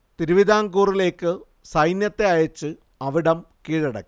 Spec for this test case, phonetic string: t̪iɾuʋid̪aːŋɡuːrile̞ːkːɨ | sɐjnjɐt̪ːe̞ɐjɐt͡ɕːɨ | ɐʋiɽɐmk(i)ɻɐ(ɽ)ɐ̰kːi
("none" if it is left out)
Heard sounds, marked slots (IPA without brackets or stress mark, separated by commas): iː, ɽ